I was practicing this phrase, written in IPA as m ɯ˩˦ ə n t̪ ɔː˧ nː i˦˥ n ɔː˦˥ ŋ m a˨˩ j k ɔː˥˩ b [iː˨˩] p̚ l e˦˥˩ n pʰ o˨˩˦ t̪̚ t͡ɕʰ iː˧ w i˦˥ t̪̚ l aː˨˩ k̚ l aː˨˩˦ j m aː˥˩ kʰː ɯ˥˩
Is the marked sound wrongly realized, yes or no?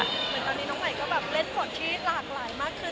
yes